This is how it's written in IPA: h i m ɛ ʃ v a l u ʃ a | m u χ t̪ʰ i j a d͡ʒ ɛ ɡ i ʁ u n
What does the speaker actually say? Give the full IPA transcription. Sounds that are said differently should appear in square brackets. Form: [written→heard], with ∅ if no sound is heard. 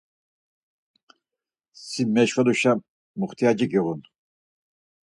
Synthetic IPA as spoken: [h→s] i m ɛ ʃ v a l u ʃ a | m u χ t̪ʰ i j a d͡ʒ [ɛ→i] ɡ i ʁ u n